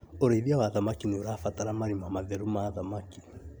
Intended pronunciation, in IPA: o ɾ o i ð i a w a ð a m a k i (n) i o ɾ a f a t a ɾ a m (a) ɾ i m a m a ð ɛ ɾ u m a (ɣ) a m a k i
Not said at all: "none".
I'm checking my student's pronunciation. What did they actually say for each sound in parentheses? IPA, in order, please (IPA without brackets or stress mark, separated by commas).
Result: n, a, ð